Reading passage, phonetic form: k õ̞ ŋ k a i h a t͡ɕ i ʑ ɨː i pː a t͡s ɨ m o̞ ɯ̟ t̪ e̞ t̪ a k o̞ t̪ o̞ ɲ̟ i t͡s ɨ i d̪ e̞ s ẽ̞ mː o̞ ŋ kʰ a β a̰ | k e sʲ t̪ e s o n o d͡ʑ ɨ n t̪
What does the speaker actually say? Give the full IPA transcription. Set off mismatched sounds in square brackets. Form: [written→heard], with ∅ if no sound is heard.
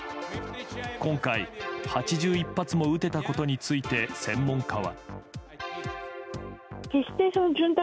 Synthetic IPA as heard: k õ̞ ŋ k a i h a t͡ɕ i ʑ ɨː i pː a t͡s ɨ m o̞ ɯ̟ t̪ e̞ t̪ a k o̞ t̪ o̞ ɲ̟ i t͡s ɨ i [d̪→t̪] e̞ s ẽ̞ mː [o̞→õ̞] ŋ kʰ a β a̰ | k e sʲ t̪ e s o n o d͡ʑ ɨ n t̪